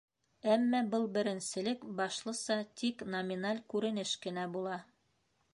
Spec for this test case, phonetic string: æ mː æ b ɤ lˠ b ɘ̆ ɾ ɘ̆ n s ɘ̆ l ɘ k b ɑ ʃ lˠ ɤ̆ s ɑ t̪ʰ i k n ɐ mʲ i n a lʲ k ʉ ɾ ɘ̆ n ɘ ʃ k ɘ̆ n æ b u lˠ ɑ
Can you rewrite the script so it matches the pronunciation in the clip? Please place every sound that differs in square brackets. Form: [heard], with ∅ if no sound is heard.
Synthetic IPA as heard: æ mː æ b ɤ lˠ b ɘ̆ ɾ ɘ̆ n s ɘ̆ l ɘ k b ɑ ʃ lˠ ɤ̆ s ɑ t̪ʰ i k n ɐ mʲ i n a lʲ k ʉ ɾ ɘ̆ n ɘ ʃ k ɘ̆ n æ b u lˠ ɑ